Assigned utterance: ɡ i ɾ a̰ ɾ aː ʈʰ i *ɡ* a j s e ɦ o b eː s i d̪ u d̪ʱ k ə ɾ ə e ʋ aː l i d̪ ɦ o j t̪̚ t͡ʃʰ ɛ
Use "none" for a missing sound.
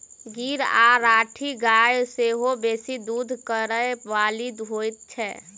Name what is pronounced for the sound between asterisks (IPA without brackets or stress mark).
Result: ɡ